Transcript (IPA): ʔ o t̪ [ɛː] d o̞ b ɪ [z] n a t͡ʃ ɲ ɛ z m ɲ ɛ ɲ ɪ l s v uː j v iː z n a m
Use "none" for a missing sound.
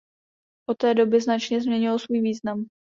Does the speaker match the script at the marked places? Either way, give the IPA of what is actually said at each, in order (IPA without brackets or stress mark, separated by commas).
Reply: ɛː, z